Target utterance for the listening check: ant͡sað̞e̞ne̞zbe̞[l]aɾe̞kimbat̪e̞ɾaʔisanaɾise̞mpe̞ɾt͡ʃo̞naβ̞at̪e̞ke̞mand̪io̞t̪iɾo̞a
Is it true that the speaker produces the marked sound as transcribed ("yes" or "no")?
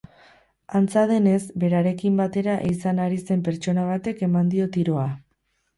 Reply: no